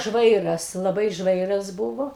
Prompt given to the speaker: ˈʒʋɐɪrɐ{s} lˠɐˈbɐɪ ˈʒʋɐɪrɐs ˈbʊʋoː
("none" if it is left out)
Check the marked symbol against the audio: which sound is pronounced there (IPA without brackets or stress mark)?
s